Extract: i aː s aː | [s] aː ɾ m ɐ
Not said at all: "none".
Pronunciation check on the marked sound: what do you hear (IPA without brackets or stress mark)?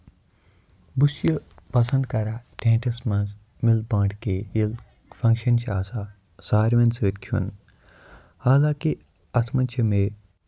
s